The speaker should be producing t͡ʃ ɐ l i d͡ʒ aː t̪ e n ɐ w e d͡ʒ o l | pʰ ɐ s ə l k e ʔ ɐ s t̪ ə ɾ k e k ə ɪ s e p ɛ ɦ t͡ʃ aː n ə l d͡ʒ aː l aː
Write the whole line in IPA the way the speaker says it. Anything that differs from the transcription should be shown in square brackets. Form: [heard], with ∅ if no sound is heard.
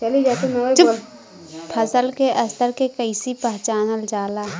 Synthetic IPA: t͡ʃ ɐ l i d͡ʒ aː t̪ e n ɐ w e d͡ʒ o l | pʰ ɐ s ə l k e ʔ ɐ s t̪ ə ɾ k e k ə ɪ s [i] p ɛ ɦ t͡ʃ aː n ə l d͡ʒ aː l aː